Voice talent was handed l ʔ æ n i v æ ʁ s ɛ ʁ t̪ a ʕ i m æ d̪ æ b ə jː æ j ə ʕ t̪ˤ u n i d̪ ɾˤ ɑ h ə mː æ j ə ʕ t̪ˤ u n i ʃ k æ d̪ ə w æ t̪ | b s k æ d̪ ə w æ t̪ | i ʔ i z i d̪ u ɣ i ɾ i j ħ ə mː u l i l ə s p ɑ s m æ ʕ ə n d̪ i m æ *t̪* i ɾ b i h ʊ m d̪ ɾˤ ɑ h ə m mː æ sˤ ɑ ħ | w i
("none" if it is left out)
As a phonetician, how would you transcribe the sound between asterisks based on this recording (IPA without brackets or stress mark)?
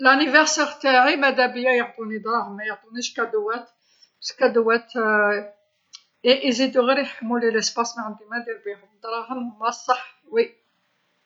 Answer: d̪